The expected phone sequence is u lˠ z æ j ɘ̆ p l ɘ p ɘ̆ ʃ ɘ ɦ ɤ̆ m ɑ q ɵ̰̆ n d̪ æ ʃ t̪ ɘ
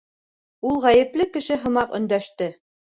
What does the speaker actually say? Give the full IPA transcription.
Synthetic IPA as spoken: u lˠ ʁ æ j ɘ̆ p l ɘ k ɘ̆ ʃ ɘ ɦ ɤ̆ m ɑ q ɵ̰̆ n d̪ æ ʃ t̪ ɘ